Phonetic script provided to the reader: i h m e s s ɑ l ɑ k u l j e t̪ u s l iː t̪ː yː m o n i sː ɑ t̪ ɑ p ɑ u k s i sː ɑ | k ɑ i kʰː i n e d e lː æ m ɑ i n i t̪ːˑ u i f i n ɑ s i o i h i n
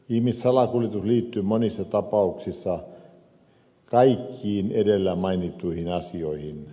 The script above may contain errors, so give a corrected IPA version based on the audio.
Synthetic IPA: i h m i s s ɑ l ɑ k u l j e t̪ u s l iː t̪ː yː m o n i sː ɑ t̪ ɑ p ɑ u k s i sː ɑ | k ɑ i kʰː iː n e d e lː æ m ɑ i n i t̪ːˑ u i h i n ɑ s i o i h i n